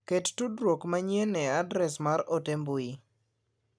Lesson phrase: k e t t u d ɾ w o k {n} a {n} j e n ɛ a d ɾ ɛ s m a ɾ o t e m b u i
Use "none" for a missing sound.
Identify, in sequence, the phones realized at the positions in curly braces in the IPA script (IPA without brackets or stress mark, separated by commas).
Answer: m, ɲ